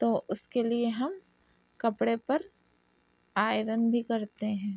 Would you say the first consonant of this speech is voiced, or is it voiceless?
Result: voiceless